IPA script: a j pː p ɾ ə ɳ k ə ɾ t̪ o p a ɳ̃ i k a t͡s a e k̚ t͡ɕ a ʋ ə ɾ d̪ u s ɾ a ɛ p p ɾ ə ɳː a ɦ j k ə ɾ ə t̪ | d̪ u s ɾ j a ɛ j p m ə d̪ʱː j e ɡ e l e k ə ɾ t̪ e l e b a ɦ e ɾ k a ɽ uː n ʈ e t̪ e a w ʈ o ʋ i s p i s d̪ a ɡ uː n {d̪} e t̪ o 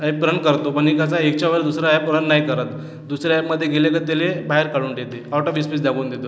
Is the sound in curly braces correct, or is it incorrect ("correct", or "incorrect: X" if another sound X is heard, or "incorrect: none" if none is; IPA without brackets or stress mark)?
correct